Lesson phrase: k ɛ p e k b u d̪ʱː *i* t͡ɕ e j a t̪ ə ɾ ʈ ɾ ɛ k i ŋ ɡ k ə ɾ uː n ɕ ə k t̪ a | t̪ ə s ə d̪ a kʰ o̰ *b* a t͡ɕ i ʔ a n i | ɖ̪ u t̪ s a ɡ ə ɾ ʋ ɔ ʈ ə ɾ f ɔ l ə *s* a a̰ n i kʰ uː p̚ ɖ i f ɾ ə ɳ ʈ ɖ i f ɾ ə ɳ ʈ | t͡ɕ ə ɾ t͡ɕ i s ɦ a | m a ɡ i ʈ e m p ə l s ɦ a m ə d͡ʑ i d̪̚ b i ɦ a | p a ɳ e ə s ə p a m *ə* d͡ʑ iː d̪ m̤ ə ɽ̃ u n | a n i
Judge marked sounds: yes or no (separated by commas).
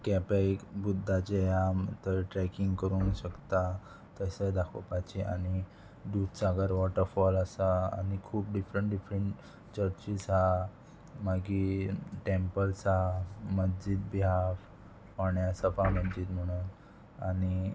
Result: no, no, yes, yes